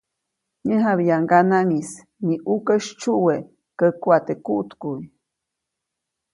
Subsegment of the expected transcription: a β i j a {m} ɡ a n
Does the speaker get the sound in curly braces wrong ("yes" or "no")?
yes